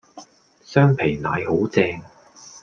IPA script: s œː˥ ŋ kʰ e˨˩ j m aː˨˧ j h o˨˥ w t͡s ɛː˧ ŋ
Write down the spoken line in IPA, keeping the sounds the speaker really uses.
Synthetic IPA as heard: s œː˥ ŋ pʰ e˨˩ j n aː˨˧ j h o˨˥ w t͡s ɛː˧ ŋ